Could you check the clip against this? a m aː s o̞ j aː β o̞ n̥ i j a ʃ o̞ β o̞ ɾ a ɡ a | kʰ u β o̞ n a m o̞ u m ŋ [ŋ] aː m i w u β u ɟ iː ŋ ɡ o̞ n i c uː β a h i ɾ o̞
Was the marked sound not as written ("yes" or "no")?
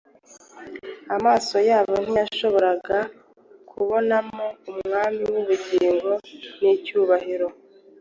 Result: no